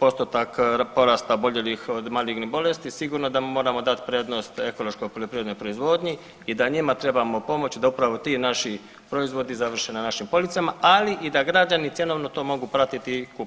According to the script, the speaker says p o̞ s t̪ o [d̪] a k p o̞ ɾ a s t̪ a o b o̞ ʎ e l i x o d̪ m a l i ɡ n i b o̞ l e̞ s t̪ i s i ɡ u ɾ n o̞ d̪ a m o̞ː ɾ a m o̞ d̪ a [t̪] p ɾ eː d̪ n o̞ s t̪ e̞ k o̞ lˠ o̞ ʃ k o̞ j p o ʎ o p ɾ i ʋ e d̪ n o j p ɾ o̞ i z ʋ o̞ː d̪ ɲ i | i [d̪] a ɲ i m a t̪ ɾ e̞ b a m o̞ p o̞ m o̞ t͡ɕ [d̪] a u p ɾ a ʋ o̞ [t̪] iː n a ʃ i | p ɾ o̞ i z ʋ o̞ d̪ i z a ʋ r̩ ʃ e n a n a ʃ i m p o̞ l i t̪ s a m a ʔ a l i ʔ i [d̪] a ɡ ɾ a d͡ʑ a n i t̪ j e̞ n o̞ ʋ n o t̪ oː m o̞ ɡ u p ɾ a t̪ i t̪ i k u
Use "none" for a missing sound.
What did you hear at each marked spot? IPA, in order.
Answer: t̪, t̪, d̪, d̪, t̪, d̪

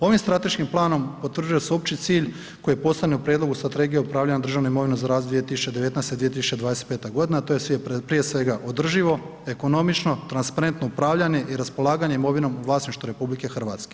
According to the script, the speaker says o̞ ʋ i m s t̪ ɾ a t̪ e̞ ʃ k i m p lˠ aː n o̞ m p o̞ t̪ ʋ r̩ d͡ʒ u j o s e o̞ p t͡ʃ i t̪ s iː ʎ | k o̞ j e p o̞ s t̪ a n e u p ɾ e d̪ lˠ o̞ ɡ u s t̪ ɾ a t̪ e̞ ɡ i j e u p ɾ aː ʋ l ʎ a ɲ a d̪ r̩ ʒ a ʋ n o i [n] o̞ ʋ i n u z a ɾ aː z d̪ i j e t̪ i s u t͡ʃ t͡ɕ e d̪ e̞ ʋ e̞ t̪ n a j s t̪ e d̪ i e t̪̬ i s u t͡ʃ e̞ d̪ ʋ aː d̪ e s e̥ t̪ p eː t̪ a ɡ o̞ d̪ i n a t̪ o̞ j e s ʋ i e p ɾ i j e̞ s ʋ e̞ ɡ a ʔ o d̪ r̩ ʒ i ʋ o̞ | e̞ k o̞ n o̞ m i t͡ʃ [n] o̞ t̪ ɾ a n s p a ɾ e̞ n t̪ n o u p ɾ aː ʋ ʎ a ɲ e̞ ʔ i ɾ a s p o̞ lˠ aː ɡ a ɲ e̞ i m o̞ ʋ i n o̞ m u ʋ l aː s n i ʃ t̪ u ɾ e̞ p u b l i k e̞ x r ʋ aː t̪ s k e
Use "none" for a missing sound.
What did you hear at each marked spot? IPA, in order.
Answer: m, n

